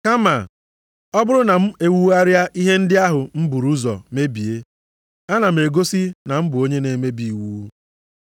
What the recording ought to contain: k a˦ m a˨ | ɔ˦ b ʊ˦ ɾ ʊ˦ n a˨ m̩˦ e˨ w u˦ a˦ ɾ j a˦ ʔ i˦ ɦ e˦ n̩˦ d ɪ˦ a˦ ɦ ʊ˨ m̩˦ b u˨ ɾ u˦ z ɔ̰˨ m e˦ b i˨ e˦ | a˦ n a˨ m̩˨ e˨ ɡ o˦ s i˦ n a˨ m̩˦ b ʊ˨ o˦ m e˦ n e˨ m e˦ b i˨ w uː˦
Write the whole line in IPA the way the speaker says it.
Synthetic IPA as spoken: k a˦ m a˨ | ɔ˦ b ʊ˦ ɾ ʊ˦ n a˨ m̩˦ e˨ w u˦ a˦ ɾ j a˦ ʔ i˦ ɦ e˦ n̩˦ d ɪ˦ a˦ ɦ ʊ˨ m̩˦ b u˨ ɾ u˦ z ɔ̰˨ m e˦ b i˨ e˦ | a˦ n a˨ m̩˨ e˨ ɡ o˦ s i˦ n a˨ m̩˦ b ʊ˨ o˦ ɲ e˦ n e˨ m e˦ b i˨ w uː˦